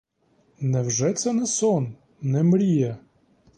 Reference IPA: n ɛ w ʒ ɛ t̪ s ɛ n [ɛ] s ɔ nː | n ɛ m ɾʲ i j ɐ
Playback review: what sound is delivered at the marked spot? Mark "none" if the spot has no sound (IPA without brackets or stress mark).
ɛ